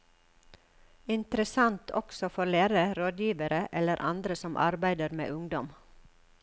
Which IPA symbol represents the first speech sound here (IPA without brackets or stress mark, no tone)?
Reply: ɪ